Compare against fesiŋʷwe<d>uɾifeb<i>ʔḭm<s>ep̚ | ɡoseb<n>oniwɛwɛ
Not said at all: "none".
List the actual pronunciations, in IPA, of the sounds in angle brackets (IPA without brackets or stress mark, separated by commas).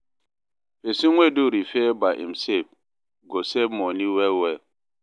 d, a, s, m